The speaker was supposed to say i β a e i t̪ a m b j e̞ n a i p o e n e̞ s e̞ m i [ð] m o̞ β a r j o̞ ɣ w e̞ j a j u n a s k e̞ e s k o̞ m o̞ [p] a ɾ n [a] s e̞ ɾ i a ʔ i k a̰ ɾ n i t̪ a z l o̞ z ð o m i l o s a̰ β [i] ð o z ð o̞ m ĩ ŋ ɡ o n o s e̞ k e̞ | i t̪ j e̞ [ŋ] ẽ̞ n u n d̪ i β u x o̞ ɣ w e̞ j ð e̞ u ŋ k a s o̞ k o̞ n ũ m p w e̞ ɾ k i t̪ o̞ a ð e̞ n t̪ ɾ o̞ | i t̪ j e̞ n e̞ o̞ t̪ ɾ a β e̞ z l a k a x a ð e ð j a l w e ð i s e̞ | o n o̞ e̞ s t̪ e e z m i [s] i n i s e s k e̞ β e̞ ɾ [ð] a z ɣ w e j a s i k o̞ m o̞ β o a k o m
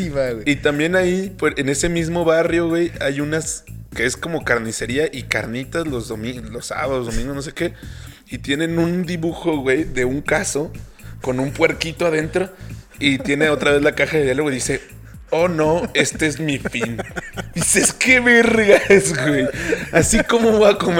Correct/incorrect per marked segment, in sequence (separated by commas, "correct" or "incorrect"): incorrect, incorrect, incorrect, incorrect, incorrect, incorrect, incorrect